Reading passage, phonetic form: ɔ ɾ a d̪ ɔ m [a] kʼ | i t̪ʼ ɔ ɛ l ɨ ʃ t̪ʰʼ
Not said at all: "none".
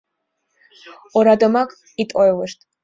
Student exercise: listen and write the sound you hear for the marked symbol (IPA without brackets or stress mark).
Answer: a